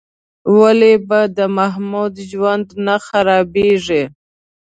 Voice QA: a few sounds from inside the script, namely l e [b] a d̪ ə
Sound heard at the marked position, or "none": b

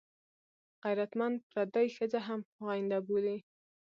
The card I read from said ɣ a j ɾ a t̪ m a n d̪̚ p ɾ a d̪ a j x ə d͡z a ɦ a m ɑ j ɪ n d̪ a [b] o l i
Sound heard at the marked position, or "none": b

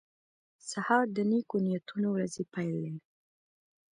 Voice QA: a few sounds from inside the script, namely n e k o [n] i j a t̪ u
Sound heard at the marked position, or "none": n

